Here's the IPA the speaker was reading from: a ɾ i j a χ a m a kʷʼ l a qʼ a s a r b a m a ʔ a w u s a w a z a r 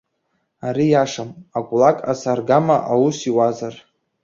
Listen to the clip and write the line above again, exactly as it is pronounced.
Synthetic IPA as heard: a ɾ i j a ʂ a m a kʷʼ l a kʼ a s a r ɡ a m a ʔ a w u s i w a z a r